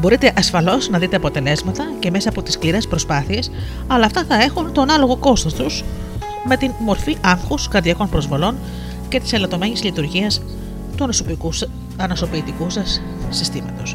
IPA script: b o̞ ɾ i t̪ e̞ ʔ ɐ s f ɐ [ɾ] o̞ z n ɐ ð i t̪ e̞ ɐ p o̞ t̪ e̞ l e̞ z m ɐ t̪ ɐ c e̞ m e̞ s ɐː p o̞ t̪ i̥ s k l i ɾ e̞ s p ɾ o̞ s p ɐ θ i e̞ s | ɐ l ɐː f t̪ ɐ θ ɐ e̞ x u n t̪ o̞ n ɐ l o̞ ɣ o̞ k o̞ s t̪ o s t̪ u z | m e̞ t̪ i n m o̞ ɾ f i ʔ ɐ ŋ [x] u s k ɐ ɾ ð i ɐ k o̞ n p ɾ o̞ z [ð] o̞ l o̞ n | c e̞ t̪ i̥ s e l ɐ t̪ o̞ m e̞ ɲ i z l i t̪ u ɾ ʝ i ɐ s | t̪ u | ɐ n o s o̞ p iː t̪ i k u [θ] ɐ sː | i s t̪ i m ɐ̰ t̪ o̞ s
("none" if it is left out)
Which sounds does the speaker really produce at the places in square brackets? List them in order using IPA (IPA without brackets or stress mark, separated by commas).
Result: l, x, v, s